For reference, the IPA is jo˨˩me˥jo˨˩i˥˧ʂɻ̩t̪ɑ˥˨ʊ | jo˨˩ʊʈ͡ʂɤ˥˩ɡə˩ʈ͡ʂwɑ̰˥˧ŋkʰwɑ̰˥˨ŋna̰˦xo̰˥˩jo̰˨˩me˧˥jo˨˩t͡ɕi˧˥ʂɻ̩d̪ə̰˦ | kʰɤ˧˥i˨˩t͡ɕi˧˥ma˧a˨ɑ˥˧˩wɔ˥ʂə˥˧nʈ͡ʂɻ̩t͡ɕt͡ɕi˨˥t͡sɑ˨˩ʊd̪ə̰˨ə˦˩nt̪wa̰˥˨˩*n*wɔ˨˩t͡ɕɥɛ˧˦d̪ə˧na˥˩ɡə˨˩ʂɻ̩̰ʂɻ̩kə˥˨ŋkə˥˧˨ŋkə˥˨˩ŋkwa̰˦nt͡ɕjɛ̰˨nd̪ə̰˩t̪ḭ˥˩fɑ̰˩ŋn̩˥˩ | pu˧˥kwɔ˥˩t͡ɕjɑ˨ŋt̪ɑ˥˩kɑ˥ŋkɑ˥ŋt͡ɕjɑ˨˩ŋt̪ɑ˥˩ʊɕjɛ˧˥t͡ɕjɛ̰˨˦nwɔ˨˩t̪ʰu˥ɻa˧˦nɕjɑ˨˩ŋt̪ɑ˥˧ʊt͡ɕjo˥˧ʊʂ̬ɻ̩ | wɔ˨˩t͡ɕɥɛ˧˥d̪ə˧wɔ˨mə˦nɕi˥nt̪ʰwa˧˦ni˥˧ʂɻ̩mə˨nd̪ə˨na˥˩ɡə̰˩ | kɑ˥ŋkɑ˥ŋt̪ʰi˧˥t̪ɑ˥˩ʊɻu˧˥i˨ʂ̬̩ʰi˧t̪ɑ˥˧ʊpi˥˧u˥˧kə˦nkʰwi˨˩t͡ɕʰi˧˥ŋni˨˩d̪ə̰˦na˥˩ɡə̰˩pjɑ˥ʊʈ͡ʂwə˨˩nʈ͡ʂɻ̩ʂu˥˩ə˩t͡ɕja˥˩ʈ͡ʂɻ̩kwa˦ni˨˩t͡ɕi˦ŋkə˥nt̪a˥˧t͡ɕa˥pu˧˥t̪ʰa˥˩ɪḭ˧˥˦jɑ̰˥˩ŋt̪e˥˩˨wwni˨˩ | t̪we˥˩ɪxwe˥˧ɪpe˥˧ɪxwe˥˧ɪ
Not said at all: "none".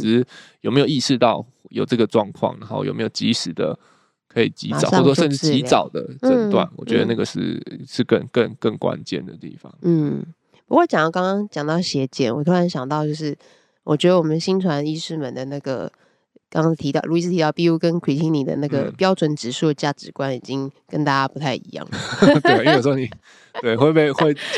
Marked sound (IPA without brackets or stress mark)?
n